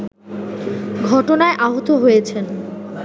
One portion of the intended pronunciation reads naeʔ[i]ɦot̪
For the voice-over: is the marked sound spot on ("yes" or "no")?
no